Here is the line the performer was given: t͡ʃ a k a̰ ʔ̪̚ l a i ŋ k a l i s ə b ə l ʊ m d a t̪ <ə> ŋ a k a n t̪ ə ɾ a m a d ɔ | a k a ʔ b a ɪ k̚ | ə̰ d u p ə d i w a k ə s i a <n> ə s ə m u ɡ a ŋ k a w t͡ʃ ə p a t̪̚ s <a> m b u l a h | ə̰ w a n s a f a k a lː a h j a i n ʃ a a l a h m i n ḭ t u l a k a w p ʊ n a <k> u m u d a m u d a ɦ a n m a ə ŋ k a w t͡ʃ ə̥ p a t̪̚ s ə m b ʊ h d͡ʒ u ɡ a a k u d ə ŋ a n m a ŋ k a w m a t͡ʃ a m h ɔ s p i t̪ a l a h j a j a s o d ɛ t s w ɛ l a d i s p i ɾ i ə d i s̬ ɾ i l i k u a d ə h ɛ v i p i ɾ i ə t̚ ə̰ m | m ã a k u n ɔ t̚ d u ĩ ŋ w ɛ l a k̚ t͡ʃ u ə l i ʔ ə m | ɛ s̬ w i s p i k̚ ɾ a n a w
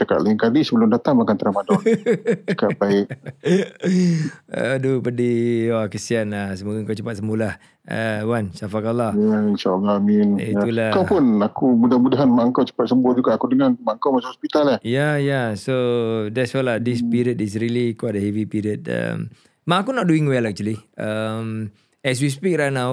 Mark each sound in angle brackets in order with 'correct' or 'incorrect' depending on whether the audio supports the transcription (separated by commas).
incorrect, correct, incorrect, correct